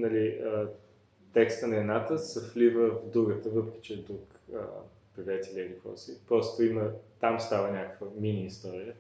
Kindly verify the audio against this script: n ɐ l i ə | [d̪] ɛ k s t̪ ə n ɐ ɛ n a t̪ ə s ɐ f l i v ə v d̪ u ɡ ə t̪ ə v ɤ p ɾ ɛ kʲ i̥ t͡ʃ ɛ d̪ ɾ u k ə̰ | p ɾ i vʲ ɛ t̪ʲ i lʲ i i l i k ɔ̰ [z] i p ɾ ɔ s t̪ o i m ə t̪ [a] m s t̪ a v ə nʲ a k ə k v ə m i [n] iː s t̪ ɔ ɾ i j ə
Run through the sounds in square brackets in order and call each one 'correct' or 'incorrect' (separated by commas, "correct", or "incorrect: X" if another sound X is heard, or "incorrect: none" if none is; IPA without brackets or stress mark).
incorrect: t̪, incorrect: s, correct, correct